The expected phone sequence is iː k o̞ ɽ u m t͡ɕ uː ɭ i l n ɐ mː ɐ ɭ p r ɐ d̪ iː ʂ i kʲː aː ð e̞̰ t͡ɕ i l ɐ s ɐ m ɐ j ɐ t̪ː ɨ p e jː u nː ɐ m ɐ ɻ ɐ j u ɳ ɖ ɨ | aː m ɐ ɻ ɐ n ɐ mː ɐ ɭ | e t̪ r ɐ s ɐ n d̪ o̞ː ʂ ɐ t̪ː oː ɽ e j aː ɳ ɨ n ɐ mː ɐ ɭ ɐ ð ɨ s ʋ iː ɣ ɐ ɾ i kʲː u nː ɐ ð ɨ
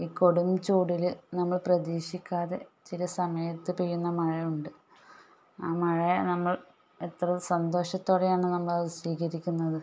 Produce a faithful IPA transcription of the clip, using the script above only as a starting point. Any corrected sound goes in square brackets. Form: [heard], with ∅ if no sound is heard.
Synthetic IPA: iː k o̞ ɽ u m t͡ɕ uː [ɽ] i l n ɐ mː ɐ ɭ p r ɐ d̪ iː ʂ i kʲː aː ð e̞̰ t͡ɕ i l ɐ s ɐ m ɐ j ɐ t̪ː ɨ p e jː u nː ɐ m ɐ ɻ ɐ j u ɳ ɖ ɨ | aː m ɐ ɻ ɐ n ɐ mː ɐ ɭ | e t̪ r ɐ s ɐ n d̪ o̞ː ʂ ɐ t̪ː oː ɽ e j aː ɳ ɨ n ɐ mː ɐ ɭ ɐ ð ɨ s ʋ iː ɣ ɐ ɾ i kʲː u nː ɐ ð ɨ